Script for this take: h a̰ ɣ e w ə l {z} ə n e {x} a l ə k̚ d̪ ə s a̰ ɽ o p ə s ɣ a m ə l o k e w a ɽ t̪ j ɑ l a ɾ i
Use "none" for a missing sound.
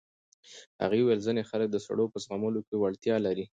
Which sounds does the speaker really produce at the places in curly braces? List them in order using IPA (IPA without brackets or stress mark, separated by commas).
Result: z, x